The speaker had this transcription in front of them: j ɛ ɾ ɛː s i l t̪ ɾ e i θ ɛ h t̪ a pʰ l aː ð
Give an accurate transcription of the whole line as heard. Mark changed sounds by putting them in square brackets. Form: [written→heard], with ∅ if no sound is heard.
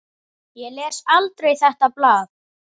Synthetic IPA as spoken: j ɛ [ɾ→l] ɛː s [i→a] l t̪ ɾ e [i→j] θ ɛ h t̪ a [pʰ→p] l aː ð

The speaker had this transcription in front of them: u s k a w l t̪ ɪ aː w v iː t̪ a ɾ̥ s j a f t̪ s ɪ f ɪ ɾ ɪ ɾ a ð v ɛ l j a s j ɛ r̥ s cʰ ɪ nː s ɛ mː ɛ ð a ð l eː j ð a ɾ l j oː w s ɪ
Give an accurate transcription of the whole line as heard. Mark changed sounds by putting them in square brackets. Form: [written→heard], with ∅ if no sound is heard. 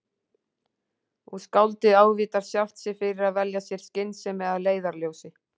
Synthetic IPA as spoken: u s k a w l t̪ ɪ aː w v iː t̪ a ɾ̥ s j a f t̪ s ɪ f ɪ ɾ ɪ ɾ a ð v ɛ l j a s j ɛ [r̥→ɾ̥] s [cʰ→c] ɪ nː s ɛ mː ɛ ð a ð l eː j ð a ɾ l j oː w s ɪ

